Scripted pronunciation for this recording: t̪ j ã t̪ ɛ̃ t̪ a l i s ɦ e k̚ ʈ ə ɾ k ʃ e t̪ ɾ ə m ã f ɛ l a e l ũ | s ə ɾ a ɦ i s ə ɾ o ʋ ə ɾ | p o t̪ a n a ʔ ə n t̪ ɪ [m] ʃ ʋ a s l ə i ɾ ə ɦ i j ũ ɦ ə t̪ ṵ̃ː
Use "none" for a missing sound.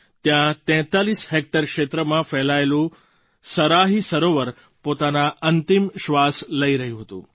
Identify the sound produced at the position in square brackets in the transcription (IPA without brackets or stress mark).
m